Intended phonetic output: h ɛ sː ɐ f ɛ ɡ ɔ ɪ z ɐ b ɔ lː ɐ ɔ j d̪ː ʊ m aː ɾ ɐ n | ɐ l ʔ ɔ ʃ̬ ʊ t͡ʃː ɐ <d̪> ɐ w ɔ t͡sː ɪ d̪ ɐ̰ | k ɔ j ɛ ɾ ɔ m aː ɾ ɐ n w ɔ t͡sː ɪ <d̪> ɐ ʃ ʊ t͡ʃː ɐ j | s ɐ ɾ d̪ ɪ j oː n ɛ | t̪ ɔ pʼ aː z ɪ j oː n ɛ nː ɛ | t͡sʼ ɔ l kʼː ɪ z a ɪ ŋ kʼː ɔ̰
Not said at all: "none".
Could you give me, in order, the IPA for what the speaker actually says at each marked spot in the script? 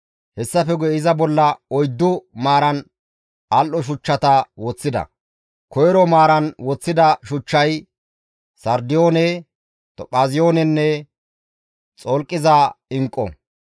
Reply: t̪, d̪

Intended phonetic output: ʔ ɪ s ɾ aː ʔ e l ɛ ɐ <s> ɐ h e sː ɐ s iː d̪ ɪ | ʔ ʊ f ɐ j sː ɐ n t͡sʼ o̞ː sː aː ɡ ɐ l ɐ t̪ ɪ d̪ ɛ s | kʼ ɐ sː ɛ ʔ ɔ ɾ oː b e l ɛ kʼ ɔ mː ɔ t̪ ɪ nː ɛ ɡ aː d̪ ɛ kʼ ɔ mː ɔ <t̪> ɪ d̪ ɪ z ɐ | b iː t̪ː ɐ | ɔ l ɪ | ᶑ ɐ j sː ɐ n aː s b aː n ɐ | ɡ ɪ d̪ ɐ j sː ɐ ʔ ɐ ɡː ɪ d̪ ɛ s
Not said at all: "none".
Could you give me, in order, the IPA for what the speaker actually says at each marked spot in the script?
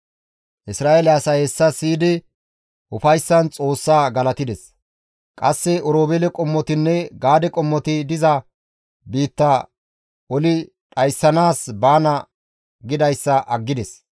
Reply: s, t̪

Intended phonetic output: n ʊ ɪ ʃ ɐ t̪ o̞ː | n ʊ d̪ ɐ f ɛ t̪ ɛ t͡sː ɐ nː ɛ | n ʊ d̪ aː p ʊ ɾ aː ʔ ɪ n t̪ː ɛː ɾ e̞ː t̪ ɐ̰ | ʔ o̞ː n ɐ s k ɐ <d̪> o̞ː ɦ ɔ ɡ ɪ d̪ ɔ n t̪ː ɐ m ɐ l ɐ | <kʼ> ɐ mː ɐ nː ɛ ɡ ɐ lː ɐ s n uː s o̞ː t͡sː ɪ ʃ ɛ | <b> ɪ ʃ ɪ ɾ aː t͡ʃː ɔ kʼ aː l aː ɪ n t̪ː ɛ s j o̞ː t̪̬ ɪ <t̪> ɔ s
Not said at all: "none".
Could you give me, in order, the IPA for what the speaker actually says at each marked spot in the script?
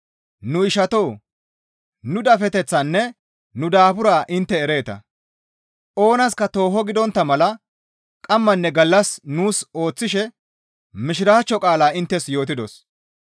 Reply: t̪, kʼ, m, d̪

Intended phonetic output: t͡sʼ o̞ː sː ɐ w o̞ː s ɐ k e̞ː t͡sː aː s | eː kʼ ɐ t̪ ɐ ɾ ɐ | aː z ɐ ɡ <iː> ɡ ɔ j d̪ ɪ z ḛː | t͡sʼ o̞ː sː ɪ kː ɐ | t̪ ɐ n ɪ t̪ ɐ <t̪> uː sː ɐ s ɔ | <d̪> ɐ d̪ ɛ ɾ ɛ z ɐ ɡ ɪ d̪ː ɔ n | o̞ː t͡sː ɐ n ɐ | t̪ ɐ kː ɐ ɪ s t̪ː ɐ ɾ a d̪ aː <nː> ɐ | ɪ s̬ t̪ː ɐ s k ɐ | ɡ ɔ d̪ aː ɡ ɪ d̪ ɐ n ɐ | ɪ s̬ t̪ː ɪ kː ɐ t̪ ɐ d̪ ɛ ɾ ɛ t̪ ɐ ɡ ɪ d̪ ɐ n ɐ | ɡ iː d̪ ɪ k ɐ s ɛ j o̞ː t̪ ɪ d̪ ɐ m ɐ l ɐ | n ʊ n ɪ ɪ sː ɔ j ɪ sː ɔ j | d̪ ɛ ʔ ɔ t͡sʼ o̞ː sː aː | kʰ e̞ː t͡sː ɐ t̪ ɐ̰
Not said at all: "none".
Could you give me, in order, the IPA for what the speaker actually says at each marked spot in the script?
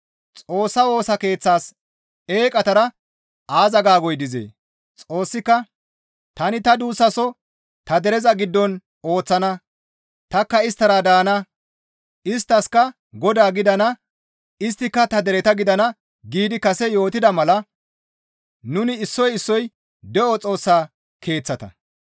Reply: aː, d̪, t̪, n

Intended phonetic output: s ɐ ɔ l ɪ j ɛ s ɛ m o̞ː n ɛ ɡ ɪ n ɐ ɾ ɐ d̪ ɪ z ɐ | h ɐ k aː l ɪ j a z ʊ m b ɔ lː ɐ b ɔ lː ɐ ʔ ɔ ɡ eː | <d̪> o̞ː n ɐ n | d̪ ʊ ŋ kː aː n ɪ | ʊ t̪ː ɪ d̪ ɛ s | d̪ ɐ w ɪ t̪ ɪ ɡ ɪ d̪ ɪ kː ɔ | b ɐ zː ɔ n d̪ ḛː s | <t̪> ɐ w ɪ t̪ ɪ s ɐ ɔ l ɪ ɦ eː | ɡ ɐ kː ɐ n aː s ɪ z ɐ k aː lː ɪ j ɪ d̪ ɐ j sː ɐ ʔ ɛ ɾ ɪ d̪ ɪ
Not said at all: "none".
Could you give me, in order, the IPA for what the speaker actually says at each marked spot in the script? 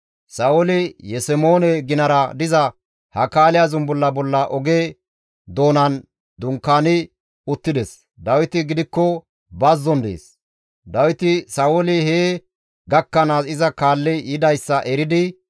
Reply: d̪, d̪

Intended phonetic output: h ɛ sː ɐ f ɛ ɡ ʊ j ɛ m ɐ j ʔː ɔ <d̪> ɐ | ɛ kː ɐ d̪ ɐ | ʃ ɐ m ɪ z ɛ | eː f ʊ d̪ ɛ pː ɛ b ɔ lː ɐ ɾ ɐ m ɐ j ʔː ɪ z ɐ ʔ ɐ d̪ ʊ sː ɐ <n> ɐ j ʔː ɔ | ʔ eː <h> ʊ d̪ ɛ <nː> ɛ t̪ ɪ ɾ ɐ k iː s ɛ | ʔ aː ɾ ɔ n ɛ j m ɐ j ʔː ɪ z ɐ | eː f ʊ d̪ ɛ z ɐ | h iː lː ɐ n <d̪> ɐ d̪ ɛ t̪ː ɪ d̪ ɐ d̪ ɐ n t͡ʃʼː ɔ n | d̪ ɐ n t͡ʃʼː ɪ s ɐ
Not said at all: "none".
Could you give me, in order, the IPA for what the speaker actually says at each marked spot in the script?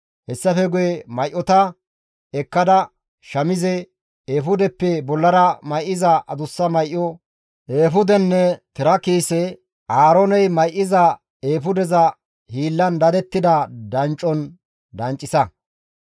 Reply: t̪, m, f, nː, d̪

